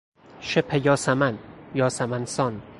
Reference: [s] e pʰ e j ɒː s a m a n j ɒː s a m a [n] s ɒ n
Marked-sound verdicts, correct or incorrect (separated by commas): incorrect, correct